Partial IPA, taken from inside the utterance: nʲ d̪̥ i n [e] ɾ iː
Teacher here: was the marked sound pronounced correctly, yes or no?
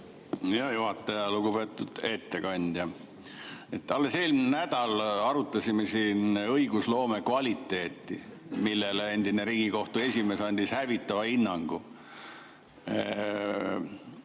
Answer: yes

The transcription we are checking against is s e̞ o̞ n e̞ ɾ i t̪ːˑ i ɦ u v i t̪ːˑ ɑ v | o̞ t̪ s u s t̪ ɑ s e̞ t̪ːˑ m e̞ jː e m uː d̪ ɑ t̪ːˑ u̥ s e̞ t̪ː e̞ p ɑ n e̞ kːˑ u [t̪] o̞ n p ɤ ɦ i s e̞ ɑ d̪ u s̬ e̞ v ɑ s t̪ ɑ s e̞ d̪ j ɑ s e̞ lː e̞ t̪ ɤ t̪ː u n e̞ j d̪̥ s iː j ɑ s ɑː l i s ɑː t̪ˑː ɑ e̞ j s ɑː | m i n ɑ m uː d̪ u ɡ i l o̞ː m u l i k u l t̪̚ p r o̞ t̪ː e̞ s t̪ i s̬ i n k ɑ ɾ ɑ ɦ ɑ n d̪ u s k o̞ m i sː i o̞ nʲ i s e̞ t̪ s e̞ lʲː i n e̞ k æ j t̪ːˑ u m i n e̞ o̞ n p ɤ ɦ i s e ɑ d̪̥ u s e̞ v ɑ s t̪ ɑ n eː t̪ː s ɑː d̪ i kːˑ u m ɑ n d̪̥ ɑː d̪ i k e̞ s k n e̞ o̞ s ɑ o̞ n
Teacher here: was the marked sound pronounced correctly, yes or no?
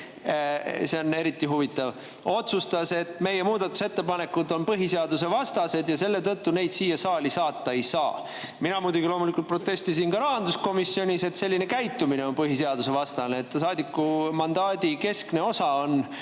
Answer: no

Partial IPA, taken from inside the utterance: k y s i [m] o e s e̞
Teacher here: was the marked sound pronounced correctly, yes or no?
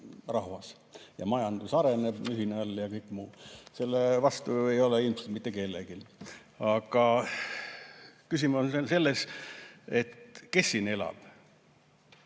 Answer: yes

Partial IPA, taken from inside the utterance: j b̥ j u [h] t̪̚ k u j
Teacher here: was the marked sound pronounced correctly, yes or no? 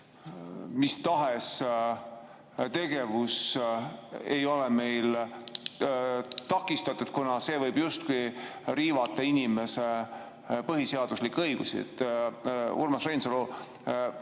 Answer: no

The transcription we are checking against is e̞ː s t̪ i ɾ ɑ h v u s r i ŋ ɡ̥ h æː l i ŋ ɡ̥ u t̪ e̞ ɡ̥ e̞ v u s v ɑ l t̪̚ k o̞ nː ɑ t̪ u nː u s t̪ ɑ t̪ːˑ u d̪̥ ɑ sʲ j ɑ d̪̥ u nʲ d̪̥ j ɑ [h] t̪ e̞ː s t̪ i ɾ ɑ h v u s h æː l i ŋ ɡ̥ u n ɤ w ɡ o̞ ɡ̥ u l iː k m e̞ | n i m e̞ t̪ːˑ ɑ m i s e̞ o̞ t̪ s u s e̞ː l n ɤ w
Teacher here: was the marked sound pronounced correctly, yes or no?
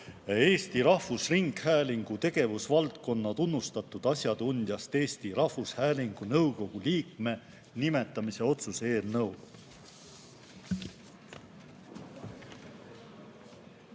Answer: no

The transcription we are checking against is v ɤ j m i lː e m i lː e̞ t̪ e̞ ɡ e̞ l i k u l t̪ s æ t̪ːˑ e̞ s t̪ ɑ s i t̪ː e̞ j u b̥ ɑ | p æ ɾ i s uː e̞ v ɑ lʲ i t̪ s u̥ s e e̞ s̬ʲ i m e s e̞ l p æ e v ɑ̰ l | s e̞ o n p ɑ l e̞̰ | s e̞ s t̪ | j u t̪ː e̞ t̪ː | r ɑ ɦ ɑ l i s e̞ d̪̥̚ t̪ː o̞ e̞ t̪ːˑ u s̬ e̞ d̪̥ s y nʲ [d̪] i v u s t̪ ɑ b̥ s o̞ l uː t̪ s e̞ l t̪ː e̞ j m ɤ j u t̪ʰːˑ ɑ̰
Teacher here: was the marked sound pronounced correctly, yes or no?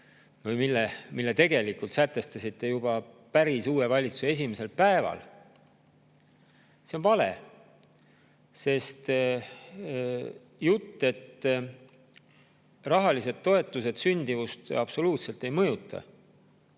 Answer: yes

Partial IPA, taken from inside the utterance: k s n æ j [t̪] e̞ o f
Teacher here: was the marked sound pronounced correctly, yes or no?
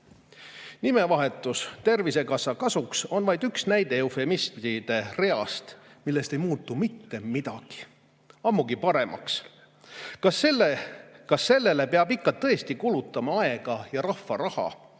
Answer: no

